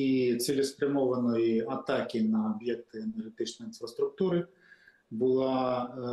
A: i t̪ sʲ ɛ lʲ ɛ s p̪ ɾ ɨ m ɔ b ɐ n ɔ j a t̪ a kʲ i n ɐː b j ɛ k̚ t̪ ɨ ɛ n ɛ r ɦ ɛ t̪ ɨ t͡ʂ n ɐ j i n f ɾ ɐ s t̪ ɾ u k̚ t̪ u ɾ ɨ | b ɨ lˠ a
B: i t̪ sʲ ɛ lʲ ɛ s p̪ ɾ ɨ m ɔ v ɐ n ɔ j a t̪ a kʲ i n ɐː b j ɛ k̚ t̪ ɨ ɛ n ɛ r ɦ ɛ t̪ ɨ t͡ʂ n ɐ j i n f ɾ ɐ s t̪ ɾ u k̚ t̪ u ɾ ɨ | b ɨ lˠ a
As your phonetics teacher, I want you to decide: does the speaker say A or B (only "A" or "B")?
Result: B